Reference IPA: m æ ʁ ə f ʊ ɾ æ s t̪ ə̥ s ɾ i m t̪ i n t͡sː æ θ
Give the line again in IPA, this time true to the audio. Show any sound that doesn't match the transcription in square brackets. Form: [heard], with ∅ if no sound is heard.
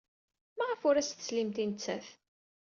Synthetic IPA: m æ ʁ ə f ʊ ɾ æ s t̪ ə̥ s [l] i m t̪ i n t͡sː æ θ